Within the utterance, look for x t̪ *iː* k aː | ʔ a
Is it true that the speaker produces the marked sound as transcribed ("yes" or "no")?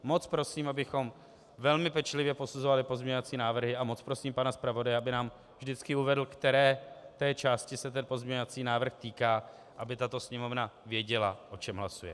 yes